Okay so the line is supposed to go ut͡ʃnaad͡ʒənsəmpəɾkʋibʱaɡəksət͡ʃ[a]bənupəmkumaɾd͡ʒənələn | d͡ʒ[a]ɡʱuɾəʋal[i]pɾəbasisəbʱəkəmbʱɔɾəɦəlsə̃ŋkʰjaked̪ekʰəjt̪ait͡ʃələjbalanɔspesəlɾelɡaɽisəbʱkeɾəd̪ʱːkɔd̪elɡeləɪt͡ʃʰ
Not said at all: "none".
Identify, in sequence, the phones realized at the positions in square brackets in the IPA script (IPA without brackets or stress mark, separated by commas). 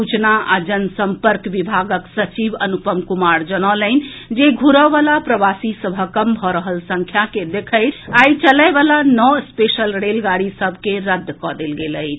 i, e, a